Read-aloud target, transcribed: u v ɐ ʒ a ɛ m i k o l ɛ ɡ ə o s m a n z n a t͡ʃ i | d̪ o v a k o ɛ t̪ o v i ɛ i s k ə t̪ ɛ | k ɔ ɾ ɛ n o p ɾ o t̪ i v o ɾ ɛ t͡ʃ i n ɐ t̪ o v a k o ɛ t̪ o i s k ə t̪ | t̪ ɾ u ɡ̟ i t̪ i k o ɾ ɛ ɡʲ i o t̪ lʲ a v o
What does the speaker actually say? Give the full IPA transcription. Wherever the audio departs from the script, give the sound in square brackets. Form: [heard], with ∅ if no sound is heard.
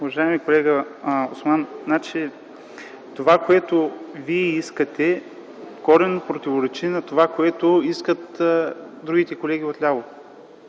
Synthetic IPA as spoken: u v ɐ ʒ a ɛ m i k o l ɛ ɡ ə o s m a n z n a t͡ʃ i | [t̪] o v a k o ɛ t̪ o v i ɛ i s k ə t̪ ɛ | k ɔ ɾ ɛ n o p ɾ o t̪ i v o ɾ ɛ t͡ʃ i n ɐ t̪ o v a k o ɛ t̪ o i s k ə t̪ | [d̪] ɾ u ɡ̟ i t̪ [ɛ] k o [l] ɛ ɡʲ i o t̪ lʲ a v o